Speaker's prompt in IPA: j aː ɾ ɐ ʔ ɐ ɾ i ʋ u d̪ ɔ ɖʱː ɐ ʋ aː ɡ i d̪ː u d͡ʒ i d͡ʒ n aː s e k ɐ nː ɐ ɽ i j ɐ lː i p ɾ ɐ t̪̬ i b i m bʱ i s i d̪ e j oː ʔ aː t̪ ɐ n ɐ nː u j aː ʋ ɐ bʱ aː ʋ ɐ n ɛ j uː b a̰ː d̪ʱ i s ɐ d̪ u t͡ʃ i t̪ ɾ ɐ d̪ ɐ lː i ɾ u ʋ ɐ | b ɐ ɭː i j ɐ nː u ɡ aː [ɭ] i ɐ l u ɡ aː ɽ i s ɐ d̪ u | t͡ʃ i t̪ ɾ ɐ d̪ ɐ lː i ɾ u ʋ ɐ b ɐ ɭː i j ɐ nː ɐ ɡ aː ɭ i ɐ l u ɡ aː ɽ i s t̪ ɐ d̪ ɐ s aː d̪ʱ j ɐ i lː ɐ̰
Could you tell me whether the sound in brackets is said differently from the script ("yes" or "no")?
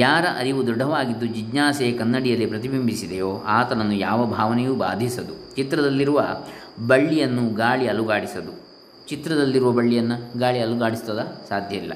no